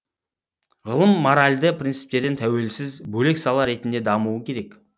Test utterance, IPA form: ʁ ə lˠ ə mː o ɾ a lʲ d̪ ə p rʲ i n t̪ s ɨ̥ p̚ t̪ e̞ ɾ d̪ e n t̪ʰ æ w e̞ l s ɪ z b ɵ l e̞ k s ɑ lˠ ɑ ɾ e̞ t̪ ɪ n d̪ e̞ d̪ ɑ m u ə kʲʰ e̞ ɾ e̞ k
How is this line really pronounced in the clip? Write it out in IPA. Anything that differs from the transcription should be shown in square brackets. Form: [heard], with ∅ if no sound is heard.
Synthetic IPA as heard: ʁ ə lˠ ə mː o ɾ a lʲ d̪ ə p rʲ i n t̪ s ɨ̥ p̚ t̪ e̞ ɾ d̪ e n t̪ʰ æ w e̞ l s ɪ z b ɵ l e̞ k s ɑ lˠ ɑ ɾ e̞ t̪ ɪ n d̪ e̞ d̪ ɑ m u ə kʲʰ e̞ ɾ e̞ k